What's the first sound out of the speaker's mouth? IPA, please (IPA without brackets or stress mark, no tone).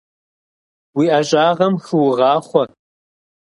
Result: w